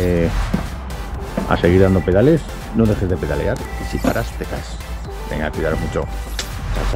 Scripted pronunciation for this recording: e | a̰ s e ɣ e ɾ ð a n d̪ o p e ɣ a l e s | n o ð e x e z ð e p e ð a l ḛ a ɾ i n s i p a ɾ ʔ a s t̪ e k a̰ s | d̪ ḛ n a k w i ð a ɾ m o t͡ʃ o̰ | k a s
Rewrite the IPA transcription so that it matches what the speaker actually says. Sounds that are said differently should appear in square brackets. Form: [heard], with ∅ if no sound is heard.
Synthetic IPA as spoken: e | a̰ s e ɣ [i] ɾ ð a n d̪ o p e [ð] a l e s | n o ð e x e z ð e p e ð a l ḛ a ɾ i [∅] s i p a ɾ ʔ a s t̪ e k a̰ s | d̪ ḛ [ŋ] a k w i ð a ɾ m [u] t͡ʃ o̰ | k a s